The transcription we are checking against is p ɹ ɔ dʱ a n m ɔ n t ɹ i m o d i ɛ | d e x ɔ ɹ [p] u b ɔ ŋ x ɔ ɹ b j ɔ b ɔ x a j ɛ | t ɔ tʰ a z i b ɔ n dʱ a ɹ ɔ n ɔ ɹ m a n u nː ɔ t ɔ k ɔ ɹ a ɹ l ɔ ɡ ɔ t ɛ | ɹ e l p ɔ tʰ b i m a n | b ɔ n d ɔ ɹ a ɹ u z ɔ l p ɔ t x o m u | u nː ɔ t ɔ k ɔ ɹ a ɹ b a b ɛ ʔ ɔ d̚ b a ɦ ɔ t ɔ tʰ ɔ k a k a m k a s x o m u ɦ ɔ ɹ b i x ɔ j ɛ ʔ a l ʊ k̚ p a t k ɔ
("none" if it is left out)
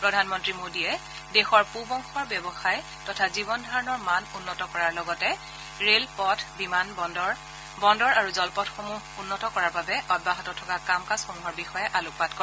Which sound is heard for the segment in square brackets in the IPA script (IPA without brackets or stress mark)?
p